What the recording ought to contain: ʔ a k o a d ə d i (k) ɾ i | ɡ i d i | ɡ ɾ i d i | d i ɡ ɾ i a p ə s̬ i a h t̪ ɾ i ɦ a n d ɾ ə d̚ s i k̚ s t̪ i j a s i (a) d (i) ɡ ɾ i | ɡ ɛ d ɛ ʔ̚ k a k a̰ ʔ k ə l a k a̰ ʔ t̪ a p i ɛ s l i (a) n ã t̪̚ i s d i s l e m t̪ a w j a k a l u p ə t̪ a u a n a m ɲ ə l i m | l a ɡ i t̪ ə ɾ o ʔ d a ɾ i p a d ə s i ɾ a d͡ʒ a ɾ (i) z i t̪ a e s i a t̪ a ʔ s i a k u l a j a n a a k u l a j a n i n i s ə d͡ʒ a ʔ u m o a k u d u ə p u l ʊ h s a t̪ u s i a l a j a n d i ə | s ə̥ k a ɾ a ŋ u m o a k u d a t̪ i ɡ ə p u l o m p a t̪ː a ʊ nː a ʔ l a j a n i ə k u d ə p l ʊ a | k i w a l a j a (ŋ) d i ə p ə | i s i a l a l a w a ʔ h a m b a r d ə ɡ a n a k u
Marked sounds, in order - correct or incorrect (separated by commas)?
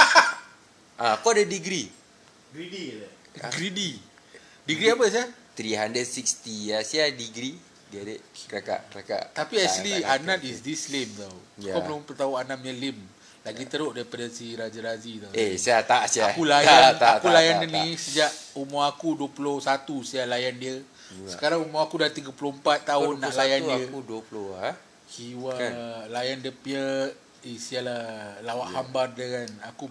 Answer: incorrect, correct, correct, correct, incorrect, incorrect